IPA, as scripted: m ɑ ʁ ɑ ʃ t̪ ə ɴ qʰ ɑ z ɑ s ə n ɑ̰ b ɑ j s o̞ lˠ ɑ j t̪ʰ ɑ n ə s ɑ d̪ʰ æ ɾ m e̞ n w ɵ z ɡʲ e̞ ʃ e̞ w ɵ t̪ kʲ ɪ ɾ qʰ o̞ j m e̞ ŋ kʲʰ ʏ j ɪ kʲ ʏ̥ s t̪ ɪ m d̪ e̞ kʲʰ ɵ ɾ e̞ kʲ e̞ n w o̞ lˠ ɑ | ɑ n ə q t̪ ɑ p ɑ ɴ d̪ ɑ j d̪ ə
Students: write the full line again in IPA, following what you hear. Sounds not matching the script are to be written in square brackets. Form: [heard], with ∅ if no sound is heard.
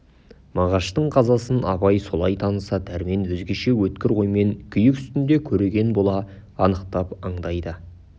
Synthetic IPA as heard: m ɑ ʁ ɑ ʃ t̪ ə ɴ qʰ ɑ z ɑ s ə n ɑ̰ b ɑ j s o̞ lˠ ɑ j t̪ʰ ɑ n ə s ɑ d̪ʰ æ ɾ m e̞ n w ɵ z ɡʲ e̞ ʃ e̞ w ɵ t̪ kʲ ɪ ɾ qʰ o̞ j m e̞ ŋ kʲʰ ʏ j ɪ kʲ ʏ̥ s t̪ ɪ [n] d̪ e̞ kʲʰ ɵ ɾ e̞ [ɡʲ] e̞ n [b] o̞ lˠ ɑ | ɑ n ə q t̪ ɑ p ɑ ɴ d̪ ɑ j d̪ ə